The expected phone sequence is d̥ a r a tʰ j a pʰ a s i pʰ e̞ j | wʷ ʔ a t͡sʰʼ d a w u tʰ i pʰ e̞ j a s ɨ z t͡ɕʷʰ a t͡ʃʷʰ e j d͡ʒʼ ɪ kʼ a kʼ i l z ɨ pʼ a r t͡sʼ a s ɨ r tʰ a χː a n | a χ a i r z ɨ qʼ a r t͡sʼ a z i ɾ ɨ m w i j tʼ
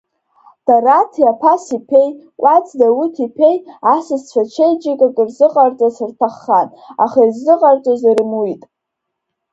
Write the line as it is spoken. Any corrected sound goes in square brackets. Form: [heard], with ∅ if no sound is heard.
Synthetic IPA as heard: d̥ a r a tʰ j a pʰ a s i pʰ e̞ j | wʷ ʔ a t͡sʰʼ d a w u tʰ i pʰ e̞ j a s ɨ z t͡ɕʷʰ a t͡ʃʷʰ e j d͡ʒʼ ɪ kʼ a kʼ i [r] z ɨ [qʼ] a r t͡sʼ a s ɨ r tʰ a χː a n | a χ a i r z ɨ qʼ a r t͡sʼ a z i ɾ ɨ m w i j tʼ